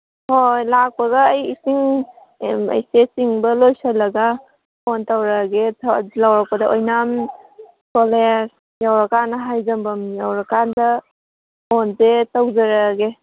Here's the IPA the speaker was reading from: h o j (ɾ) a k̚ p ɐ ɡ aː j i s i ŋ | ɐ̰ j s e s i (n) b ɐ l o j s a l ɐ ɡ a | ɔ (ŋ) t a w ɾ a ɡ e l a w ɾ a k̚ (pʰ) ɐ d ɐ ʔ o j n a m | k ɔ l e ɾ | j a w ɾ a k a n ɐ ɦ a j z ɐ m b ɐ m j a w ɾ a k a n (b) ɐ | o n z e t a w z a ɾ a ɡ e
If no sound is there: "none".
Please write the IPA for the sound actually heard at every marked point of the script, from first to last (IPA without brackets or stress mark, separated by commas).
l, ŋ, n, p, d